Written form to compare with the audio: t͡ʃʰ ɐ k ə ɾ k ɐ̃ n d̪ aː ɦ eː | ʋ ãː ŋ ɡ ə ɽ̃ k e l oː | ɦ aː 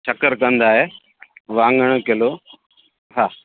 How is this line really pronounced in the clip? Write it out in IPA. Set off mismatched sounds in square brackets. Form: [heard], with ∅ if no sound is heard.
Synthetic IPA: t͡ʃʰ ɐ k ə ɾ k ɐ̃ n d̪ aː ɦ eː | ʋ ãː ŋ ɡ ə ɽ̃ k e l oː | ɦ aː